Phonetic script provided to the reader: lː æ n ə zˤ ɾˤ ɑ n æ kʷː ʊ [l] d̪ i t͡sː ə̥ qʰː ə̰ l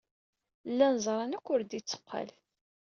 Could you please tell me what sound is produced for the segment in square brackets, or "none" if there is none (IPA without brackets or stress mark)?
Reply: ɾ